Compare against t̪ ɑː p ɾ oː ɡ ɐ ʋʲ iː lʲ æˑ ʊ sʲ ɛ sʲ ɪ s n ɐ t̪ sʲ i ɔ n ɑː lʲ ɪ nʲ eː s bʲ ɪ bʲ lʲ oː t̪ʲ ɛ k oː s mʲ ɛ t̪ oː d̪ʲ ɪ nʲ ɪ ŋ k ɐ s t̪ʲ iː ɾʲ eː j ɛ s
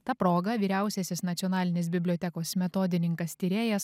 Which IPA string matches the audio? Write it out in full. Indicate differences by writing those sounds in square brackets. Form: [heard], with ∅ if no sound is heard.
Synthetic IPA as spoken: t̪ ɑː p ɾ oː ɡ ɐ ʋʲ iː [ɾʲ] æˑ ʊ sʲ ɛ sʲ ɪ s n ɐ t̪ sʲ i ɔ n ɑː lʲ ɪ nʲ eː s bʲ ɪ bʲ lʲ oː t̪ʲ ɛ k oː s mʲ ɛ t̪ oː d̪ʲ ɪ nʲ ɪ ŋ k ɐ s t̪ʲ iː ɾʲ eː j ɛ s